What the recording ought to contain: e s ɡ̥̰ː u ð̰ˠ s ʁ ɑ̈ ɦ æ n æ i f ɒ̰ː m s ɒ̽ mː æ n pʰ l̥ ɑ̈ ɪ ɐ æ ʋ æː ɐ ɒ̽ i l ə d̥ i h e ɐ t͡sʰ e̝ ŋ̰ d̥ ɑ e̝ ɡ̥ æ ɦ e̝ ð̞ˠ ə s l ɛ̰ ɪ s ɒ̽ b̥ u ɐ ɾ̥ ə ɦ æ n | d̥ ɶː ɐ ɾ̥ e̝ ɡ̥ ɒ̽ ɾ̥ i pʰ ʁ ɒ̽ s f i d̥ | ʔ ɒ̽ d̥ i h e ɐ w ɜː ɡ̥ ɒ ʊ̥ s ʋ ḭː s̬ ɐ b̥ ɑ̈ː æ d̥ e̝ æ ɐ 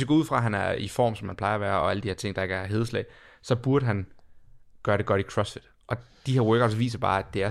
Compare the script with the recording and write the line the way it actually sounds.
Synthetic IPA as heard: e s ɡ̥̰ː u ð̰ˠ f ʁ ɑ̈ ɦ æ n æ i f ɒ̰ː m s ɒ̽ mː æ n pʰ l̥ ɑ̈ ɪ ɐ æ ʋ æː ɐ ɒ̽ æ l ə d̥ i h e ɐ t͡sʰ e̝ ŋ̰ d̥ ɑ e̝ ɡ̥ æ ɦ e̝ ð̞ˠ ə s l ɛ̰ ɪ s ɒ̽ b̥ u ɐ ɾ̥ ə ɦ æ n | ɡ̥ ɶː ɐ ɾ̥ e̝ ɡ̥ ɒ̽ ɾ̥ i kʰ ʁ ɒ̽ s f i d̥ | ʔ ɒ̽ d̥ i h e ɐ w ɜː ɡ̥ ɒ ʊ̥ s ʋ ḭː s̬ ɐ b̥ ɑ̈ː æ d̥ e̝ æ ɐ